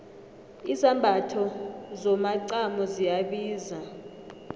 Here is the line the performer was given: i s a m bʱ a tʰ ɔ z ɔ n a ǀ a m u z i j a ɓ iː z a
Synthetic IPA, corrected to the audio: i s a m bʱ a tʰ ɔ z ɔ m a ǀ a m ɔ z i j a ɓ iː z a